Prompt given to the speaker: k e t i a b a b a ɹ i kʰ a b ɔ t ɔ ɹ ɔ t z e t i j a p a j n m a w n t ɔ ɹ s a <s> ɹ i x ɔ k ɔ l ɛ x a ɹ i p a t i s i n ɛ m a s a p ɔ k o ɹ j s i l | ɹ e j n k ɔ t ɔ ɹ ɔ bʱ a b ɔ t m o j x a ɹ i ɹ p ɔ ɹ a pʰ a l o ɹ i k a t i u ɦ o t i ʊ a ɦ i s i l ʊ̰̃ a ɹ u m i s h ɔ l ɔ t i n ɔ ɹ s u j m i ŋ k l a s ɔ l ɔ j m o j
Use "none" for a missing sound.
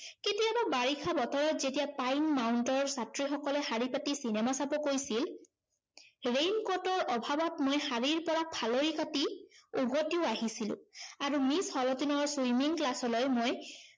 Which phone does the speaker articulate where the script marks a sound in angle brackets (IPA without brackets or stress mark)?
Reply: t